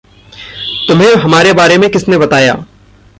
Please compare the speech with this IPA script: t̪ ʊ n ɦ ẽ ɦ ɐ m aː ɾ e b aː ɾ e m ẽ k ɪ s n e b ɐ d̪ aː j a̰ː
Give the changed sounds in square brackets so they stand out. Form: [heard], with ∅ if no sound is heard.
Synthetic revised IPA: t̪ ʊ [m] ɦ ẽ ɦ ɐ m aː ɾ e b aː ɾ e m ẽ k ɪ s n e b ɐ [t̪] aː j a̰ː